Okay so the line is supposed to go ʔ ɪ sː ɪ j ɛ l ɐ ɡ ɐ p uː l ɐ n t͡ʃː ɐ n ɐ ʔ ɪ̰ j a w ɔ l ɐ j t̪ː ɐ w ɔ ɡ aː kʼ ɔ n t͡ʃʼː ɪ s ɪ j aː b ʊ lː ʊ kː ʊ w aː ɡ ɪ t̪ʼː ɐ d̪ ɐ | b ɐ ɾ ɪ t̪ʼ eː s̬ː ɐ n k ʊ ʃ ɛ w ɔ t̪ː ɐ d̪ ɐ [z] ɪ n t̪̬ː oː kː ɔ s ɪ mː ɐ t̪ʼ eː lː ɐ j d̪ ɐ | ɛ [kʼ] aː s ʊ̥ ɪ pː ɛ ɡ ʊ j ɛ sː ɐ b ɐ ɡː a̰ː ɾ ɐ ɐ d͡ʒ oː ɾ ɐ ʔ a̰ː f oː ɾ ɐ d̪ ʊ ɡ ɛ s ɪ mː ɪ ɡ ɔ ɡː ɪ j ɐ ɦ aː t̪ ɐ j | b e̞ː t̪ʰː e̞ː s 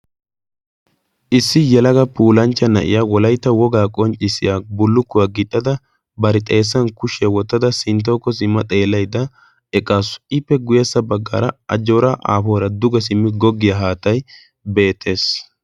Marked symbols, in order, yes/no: no, yes

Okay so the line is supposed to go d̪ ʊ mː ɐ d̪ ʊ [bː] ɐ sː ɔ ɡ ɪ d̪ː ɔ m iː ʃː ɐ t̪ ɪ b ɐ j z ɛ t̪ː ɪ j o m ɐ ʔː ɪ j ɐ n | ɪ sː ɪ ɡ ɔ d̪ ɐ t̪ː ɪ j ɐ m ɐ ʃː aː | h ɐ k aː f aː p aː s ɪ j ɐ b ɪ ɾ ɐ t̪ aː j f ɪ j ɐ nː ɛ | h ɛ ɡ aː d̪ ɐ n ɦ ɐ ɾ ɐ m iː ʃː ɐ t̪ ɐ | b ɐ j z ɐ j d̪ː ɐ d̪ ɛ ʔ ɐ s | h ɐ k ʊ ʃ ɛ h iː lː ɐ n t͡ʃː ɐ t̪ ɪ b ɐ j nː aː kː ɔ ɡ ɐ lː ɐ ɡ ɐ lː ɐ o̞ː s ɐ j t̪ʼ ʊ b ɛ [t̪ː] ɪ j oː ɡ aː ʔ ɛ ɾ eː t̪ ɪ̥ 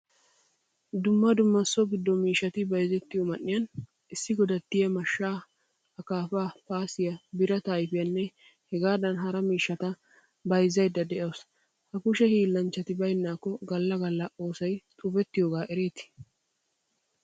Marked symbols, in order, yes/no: no, yes

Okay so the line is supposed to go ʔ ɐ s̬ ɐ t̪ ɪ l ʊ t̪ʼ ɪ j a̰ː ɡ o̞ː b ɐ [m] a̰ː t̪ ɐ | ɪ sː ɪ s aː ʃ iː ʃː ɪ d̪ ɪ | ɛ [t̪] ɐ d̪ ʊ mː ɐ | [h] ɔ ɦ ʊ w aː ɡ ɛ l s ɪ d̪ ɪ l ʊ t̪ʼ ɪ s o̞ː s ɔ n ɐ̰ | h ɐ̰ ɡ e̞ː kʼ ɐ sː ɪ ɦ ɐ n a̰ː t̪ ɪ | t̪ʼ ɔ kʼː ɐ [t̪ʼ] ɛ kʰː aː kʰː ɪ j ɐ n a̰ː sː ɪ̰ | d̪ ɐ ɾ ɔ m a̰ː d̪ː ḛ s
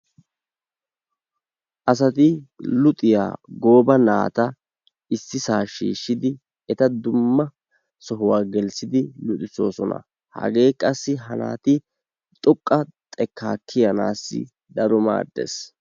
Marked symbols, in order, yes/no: no, yes, no, yes

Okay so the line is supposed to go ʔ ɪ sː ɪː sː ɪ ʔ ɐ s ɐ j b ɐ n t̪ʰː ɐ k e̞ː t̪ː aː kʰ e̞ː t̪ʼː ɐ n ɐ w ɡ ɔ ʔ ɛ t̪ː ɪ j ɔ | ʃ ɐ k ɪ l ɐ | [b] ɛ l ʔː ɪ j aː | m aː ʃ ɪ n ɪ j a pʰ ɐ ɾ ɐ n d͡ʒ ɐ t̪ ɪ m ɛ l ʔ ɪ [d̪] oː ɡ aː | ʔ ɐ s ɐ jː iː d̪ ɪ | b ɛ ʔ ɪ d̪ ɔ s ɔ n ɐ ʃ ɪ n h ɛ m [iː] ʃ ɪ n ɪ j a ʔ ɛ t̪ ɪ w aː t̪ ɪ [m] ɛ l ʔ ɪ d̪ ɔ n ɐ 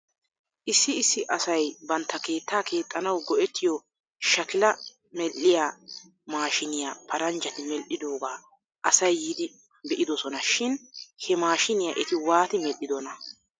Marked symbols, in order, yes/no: no, yes, no, yes

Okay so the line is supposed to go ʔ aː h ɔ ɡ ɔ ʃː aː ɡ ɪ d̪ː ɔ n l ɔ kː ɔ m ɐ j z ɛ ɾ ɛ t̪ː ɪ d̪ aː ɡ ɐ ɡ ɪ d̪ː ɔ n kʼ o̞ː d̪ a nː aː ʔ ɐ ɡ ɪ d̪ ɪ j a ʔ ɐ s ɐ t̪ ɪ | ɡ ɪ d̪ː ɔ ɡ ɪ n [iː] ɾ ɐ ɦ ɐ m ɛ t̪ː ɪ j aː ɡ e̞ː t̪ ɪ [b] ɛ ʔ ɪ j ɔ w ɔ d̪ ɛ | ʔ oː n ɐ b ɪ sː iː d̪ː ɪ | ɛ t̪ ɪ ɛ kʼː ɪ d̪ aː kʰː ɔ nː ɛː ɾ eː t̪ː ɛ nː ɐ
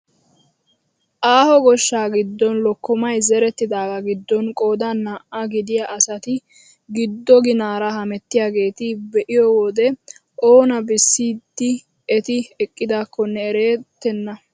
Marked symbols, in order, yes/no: no, yes

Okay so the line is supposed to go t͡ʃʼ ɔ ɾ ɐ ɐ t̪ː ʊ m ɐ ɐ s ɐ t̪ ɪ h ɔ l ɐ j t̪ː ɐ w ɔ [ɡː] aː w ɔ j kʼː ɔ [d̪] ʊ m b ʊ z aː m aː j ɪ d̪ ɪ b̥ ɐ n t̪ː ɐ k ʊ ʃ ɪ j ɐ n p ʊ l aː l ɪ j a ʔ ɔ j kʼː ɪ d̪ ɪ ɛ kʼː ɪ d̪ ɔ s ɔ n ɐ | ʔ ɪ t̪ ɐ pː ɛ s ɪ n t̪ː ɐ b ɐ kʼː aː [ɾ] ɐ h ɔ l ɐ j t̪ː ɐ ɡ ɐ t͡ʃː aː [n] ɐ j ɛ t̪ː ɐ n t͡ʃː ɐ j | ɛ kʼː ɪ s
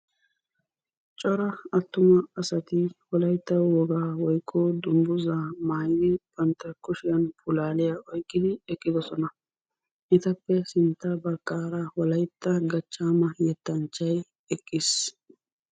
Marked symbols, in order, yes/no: no, yes, yes, no

